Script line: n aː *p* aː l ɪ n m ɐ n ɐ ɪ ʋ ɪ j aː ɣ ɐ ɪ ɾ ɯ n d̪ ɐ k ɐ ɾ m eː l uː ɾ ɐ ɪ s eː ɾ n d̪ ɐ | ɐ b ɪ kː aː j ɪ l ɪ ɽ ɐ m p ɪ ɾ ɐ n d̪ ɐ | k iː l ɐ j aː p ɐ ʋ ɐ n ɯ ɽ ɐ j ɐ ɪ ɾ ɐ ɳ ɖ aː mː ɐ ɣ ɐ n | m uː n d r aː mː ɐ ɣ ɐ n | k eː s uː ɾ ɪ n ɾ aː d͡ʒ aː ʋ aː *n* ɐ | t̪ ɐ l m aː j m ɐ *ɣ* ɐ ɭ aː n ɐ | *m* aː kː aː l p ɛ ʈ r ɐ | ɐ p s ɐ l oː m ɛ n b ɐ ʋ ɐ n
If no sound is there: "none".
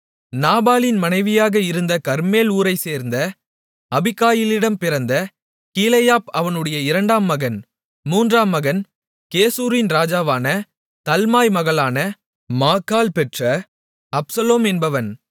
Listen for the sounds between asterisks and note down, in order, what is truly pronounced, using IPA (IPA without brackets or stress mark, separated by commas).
b, n, ɣ, m